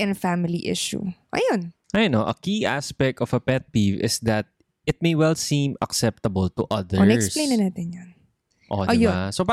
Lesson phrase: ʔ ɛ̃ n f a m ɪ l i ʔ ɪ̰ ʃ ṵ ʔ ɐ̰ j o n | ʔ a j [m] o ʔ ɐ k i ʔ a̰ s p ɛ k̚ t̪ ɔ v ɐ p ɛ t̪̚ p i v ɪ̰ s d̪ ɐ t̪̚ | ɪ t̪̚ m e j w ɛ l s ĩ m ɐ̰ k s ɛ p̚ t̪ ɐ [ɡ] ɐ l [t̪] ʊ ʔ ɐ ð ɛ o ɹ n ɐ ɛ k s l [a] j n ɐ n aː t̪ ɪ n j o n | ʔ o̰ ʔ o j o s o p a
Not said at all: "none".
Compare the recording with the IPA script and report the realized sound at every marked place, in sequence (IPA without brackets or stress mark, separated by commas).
n, b, t̪, e